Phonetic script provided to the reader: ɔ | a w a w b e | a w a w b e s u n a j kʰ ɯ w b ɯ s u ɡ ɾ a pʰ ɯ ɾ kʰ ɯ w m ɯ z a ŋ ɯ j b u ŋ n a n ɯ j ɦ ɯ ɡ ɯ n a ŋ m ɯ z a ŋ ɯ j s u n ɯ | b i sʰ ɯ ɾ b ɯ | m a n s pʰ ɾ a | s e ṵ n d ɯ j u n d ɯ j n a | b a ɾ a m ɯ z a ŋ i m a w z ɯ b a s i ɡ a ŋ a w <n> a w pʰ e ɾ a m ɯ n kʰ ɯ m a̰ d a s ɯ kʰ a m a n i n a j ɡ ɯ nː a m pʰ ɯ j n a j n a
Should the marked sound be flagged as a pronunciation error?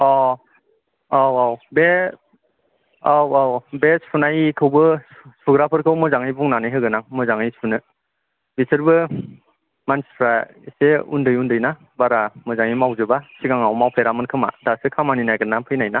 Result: yes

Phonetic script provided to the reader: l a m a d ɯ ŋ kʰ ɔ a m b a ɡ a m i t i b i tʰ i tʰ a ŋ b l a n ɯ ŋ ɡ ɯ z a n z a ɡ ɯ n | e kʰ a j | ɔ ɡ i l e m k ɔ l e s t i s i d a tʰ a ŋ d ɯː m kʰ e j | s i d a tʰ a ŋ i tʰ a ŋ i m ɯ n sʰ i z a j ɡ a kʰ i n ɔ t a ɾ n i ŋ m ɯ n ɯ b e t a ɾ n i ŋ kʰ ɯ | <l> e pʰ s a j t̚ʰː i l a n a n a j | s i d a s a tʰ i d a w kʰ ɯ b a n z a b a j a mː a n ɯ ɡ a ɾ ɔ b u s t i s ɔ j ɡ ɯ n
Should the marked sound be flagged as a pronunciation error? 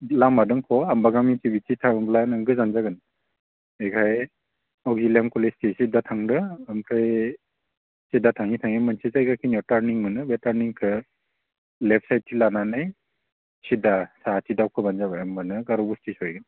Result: no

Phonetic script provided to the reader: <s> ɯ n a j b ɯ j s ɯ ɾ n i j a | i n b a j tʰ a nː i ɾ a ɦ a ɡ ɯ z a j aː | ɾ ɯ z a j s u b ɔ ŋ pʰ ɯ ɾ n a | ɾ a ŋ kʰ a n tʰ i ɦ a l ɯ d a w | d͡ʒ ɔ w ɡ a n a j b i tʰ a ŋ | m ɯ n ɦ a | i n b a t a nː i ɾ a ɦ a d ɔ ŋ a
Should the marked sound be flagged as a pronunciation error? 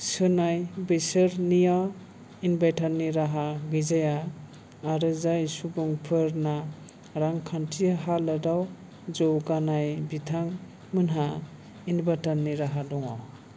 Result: no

